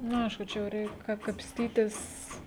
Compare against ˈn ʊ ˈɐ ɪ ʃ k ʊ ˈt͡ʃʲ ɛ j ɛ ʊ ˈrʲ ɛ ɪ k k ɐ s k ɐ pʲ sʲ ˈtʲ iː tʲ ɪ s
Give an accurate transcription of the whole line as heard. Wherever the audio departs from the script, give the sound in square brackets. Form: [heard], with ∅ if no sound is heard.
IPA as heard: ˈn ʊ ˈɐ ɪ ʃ k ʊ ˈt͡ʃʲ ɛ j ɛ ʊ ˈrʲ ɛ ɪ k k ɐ [∅] k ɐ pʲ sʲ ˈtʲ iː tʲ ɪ s